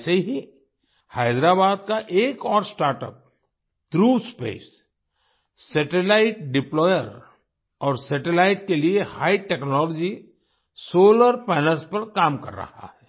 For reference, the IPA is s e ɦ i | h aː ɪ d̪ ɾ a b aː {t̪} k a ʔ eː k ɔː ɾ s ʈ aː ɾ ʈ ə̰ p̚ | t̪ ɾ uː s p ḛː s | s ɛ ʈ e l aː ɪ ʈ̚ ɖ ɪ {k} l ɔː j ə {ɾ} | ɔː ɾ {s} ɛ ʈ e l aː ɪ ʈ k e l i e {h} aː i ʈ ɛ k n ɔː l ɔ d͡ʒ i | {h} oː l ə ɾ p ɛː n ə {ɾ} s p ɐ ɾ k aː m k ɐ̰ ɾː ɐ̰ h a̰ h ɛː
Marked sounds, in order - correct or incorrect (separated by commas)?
incorrect, incorrect, correct, correct, correct, incorrect, incorrect